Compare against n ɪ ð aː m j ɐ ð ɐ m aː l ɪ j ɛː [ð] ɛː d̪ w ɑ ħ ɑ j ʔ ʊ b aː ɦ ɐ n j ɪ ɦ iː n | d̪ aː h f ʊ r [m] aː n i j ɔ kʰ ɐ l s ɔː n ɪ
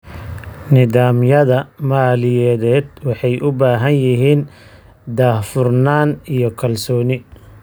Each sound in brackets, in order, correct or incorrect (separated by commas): correct, incorrect